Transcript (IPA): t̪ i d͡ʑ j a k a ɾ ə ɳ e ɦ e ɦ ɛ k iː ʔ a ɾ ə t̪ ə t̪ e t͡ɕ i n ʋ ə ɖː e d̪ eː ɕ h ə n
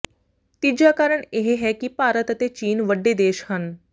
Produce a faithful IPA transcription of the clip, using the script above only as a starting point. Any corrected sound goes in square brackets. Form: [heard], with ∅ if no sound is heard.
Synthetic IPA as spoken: t̪ i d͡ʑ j a k a ɾ ə ɳ e ɦ e ɦ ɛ k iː [p] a ɾ ə t̪ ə t̪ e t͡ɕ [iː] n ʋ ə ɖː e d̪ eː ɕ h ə n